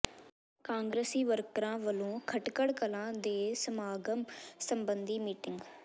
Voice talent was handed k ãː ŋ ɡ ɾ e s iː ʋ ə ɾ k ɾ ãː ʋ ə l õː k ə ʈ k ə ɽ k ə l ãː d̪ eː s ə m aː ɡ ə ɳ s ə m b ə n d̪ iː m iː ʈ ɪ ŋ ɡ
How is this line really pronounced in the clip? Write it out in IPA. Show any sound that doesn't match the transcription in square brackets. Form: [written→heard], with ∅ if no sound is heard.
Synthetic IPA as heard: k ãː ŋ ɡ ɾ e s iː ʋ ə ɾ k ɾ ãː ʋ ə l õː [k→kʰ] ə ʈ k ə ɽ k ə l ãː d̪ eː s ə m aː ɡ ə [ɳ→m] s ə m b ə n d̪ iː m iː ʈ ɪ ŋ ɡ